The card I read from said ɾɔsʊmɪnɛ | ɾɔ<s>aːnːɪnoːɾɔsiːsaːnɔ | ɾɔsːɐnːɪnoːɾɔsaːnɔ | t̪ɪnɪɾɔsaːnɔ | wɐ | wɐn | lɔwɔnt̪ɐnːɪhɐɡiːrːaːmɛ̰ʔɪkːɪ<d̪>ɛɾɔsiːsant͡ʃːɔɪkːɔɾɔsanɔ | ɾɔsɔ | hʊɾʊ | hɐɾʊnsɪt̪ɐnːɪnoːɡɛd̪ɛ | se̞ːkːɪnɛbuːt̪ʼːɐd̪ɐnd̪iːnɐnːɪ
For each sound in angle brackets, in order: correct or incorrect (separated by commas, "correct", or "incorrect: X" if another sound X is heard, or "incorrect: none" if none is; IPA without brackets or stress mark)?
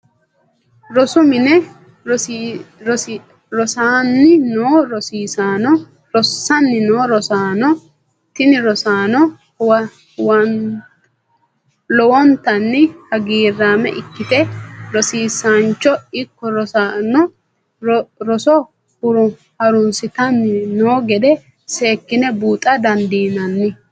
correct, incorrect: t̪